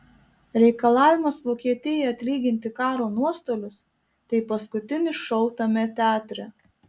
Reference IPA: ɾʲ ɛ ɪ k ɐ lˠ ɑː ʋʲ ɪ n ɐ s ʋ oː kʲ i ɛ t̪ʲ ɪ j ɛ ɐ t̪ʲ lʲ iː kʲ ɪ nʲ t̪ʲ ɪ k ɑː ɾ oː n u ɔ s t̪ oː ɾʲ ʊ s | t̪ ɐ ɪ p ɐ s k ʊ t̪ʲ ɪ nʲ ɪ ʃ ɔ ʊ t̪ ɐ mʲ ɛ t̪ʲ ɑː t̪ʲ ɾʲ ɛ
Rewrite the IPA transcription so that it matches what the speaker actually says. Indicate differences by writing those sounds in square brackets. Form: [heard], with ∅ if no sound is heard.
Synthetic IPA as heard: ɾʲ ɛ ɪ k ɐ lˠ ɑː ʋʲ ɪ [m] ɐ s ʋ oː kʲ i ɛ t̪ʲ ɪ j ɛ ɐ t̪ʲ lʲ iː [ɡʲ] ɪ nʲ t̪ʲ ɪ k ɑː ɾ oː n u ɔ s t̪ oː [lʲ] ʊ s | t̪ ɐ ɪ p ɐ s k ʊ t̪ʲ ɪ nʲ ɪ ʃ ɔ ʊ t̪ ɐ mʲ ɛ t̪ʲ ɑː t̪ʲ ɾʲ ɛ